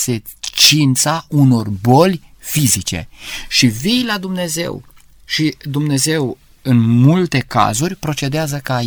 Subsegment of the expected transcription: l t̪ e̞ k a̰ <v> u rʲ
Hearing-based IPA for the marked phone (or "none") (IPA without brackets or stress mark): z